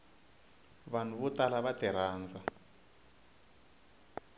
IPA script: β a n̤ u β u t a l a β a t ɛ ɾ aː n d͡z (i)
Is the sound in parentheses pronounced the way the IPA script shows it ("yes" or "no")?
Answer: no